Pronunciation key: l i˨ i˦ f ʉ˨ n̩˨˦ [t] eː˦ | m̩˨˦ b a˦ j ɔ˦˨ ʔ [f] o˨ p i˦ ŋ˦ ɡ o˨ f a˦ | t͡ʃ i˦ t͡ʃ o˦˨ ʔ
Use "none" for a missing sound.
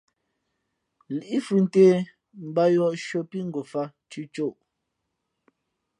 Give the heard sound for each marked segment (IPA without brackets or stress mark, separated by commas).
t, ʃ